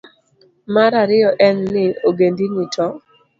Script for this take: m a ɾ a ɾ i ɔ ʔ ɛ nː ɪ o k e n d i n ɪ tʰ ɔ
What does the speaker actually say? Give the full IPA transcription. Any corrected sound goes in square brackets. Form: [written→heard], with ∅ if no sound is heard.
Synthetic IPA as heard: m a ɾ a ɾ [i→ɪ] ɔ ʔ ɛ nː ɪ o [k→ɡ] e n d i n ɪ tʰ ɔ